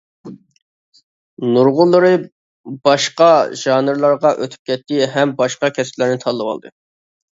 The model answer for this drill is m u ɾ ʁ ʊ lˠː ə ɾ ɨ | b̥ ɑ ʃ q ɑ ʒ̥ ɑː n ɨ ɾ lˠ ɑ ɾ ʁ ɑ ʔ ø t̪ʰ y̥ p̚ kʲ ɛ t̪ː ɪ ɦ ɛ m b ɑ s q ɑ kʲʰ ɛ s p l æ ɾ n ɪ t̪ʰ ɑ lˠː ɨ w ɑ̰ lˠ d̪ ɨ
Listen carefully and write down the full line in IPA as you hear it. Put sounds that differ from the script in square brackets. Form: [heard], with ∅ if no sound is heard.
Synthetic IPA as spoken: [n] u ɾ ʁ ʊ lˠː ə ɾ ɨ | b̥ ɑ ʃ q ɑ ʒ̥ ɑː n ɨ ɾ lˠ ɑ ɾ ʁ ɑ ʔ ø t̪ʰ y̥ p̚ kʲ ɛ t̪ː ɪ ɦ ɛ m b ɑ [ʃ] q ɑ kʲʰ ɛ s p l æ ɾ n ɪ t̪ʰ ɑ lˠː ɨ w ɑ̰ lˠ d̪ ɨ